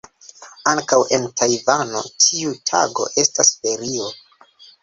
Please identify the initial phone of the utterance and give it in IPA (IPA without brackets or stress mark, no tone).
a